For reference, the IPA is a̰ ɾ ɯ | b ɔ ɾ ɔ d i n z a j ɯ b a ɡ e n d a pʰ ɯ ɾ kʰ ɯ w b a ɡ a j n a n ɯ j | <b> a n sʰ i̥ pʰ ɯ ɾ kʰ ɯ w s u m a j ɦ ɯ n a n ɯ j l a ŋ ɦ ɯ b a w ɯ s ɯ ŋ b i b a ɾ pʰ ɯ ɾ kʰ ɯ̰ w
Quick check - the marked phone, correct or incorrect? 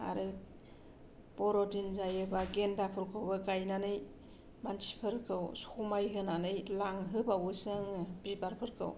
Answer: incorrect